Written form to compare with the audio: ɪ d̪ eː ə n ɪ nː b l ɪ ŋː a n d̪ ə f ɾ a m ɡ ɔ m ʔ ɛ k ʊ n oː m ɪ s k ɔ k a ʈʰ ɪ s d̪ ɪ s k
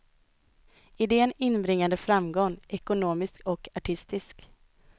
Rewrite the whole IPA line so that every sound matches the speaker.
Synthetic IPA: ɪ d̪ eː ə n ɪ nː b ɾ ɪ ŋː a n d̪ ə f ɾ a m ɡ ɔ ŋ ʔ ɛ k ʊ n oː m ɪ s k ɔ k a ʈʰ ɪ s t̪ ɪ s k